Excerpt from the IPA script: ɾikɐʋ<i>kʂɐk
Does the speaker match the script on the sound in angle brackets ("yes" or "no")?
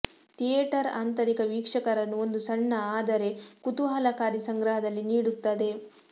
no